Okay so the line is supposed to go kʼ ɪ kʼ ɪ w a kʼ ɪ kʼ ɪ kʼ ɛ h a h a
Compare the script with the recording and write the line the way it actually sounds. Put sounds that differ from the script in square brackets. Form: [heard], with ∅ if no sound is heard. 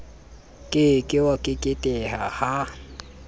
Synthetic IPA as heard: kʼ ɪ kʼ ɪ w a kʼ ɪ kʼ ɪ [tʼ] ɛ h a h a